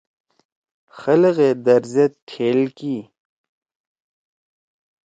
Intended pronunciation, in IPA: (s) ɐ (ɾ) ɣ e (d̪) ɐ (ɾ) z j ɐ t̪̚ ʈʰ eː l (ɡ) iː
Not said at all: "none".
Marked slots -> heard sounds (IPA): x, l, d̪, ɾ, k

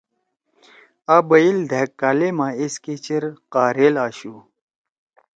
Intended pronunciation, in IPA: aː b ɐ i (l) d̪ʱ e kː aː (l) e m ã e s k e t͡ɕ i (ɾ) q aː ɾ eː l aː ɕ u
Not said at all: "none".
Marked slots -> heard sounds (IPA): l, l, ɾ

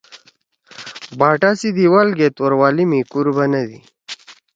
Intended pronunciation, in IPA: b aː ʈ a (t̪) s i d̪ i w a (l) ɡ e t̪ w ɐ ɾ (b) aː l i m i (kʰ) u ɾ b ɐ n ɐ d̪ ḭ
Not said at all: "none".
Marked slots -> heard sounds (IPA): none, l, w, k

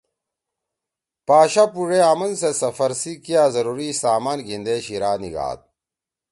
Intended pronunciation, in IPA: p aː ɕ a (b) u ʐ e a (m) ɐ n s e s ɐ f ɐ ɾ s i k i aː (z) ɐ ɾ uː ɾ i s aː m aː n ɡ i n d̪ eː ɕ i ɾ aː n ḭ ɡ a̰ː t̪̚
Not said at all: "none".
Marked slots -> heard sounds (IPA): p, m, z

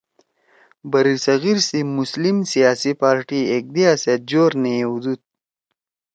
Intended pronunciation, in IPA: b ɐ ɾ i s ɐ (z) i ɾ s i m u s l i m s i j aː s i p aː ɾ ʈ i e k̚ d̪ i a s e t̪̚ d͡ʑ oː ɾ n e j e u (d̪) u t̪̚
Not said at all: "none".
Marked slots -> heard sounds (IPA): ɣ, d̪

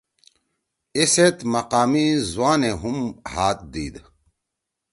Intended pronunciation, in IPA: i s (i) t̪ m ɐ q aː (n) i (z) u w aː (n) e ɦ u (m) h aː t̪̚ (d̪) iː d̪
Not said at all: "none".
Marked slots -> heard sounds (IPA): e, m, z, n, m, d̪

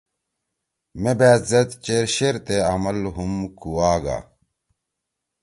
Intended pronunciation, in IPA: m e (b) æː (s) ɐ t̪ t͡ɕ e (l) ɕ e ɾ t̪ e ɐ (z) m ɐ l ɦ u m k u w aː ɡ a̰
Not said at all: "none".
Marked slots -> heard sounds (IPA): b, z, ɾ, none

